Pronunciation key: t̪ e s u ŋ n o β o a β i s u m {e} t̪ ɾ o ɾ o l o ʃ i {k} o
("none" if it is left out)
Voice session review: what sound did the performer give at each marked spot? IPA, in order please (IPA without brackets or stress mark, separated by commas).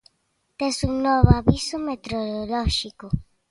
e, k